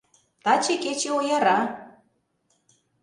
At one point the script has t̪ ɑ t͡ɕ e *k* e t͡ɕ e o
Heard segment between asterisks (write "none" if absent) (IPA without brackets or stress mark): k